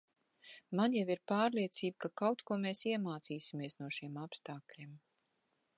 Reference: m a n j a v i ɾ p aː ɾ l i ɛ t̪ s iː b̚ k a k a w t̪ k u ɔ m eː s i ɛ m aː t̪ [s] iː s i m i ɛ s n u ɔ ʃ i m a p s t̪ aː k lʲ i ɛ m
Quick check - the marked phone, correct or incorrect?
correct